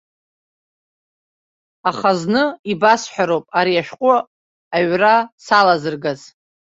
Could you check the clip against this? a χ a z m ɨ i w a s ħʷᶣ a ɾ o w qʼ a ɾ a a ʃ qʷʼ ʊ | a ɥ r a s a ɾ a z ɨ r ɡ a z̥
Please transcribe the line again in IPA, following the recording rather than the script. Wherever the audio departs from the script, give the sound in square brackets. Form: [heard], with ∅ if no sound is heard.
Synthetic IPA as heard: a χ a z [n] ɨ i [b] a s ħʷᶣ a ɾ o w [pʼ] a ɾ [i] a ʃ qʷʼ ʊ | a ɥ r a s a [l] a z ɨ r ɡ a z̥